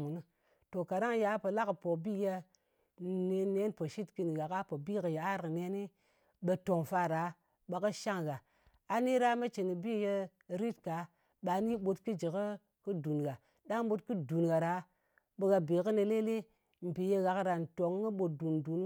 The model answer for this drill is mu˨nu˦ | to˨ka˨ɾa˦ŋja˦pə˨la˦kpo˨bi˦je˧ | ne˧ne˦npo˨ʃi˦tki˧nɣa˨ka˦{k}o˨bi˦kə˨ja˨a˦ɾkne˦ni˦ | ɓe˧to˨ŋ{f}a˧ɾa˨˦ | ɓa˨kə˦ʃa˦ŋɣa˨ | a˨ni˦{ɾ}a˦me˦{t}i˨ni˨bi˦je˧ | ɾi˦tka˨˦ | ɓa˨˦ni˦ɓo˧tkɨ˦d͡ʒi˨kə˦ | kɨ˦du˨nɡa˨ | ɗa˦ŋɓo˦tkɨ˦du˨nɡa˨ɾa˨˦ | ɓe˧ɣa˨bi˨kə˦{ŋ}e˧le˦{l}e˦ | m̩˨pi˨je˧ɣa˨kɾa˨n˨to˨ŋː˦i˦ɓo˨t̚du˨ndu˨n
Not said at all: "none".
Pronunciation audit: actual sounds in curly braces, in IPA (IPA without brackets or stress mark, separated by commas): p, f, ɾ, t͡ʃ, n, l